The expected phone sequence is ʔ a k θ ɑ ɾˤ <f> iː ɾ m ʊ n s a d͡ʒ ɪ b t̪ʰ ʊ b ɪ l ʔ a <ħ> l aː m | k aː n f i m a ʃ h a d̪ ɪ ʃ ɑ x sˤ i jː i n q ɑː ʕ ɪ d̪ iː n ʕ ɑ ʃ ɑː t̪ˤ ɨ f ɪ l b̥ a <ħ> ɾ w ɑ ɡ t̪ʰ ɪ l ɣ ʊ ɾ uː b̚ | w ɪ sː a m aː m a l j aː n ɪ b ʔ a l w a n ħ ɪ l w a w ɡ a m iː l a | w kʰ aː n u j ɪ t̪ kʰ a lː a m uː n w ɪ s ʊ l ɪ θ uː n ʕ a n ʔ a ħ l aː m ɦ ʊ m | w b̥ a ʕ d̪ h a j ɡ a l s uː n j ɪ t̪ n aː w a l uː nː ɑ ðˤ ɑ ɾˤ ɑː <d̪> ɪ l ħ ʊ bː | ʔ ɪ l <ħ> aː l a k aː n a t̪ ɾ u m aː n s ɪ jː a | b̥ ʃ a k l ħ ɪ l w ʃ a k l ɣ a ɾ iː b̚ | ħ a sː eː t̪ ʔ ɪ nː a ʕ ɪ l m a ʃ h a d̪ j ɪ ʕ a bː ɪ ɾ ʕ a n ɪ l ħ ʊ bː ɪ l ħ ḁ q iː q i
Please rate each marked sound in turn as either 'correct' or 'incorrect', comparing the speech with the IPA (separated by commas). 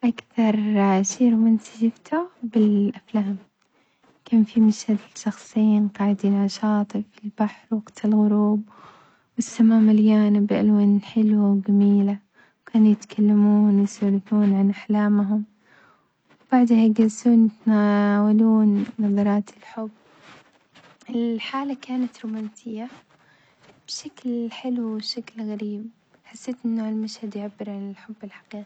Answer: incorrect, incorrect, correct, incorrect, correct